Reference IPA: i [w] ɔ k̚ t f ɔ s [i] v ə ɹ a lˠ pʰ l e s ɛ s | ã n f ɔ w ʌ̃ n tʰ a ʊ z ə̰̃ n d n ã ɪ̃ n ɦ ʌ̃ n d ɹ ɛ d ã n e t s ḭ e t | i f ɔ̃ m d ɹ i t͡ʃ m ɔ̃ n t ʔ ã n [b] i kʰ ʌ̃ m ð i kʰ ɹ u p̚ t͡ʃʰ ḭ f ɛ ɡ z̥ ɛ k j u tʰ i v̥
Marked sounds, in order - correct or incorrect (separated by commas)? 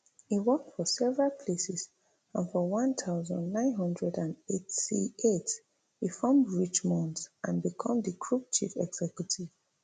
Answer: correct, incorrect, correct